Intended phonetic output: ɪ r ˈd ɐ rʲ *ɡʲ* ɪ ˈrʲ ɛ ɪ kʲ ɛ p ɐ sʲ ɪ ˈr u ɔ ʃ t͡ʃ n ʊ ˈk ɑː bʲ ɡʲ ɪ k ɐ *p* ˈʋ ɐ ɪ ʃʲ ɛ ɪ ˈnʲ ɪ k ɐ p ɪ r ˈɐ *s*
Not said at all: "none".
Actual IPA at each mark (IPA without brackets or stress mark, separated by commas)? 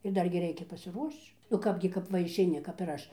ɡʲ, p, ʃ